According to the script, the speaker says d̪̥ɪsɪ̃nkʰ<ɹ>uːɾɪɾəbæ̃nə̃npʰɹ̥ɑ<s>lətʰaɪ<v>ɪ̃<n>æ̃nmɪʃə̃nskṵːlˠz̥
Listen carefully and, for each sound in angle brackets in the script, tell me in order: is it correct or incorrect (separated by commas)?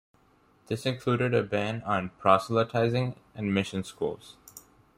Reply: incorrect, correct, incorrect, incorrect